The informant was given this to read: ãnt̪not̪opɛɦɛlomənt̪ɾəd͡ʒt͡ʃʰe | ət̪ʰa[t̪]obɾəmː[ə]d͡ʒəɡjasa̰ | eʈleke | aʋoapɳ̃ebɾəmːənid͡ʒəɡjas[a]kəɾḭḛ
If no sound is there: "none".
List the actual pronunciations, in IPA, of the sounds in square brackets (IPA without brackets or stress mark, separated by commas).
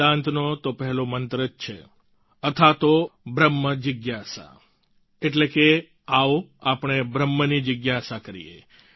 t̪, ə, a